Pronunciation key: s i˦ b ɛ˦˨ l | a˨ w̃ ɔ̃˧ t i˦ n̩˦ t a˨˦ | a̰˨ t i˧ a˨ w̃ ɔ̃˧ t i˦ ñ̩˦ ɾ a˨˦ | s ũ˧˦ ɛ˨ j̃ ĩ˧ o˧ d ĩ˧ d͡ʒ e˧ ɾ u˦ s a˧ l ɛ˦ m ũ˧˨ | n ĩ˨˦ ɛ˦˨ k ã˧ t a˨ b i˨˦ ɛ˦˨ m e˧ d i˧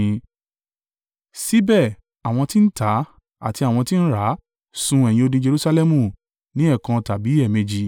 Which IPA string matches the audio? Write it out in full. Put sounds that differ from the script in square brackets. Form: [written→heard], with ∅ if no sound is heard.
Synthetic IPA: s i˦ b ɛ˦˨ [l→∅] | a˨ w̃ ɔ̃˧ t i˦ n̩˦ t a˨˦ | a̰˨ t i˧ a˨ w̃ ɔ̃˧ t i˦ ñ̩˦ ɾ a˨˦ | s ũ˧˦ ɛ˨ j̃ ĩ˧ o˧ d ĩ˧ d͡ʒ e˧ ɾ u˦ s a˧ l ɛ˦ m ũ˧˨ | n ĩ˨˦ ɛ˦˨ k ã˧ t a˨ b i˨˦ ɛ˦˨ m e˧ [d→d͡ʒ] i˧